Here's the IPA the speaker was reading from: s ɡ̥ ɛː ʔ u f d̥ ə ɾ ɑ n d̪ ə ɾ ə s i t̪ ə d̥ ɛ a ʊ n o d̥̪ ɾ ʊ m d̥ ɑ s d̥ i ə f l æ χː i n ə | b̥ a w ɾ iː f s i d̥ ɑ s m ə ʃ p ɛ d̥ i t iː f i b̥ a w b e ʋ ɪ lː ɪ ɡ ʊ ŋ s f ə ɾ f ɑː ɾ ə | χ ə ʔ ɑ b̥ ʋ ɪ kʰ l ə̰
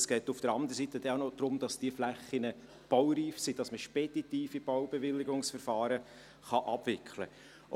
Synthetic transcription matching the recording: s ɡ̥ ɛː t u f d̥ ə ɾ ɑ n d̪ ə ɾ ə s i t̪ ə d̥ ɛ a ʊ n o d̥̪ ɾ ʊ m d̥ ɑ s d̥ i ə f l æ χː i n ə | b̥ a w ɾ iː f s i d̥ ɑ s m ə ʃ p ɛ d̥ i t iː f i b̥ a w b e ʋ ɪ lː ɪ ɡ ʊ ŋ s f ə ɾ f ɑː ɾ ə | χ ɑ ʔ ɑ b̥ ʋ ɪ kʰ l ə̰